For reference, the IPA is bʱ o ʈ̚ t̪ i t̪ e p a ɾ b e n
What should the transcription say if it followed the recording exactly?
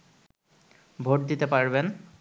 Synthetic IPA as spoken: bʱ o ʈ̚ d̪ i t̪ e p a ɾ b e n